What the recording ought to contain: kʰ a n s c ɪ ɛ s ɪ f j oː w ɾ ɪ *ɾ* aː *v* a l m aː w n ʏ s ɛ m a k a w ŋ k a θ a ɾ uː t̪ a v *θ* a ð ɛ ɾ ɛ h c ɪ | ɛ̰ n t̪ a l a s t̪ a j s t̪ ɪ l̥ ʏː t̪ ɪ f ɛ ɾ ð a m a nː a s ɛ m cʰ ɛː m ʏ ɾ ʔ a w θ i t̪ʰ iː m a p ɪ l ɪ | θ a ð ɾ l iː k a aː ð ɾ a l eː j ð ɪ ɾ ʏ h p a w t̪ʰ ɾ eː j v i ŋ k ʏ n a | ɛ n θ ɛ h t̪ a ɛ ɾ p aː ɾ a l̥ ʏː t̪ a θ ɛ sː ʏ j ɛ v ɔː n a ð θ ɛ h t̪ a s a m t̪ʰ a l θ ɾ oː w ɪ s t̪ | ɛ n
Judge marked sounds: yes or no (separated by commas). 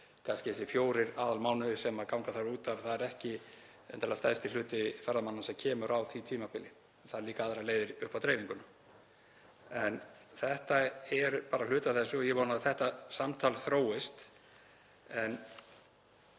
yes, no, yes